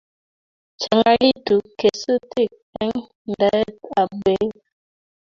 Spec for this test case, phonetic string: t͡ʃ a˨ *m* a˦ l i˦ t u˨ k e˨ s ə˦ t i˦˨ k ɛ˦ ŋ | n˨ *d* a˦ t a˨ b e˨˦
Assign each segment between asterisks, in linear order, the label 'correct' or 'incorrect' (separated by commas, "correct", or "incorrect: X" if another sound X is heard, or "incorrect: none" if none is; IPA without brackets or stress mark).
incorrect: ŋ, correct